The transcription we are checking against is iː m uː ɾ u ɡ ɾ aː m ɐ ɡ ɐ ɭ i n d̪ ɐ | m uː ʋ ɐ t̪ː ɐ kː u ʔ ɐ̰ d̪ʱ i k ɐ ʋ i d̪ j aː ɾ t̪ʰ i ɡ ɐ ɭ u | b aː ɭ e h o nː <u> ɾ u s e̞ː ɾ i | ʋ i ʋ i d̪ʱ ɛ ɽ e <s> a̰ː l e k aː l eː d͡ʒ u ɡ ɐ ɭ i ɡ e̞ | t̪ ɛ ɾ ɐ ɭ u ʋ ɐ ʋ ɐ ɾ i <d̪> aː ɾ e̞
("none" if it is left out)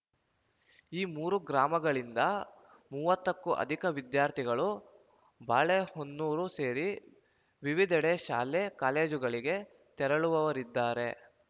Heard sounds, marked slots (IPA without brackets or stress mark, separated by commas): uː, ʃ, d̪ː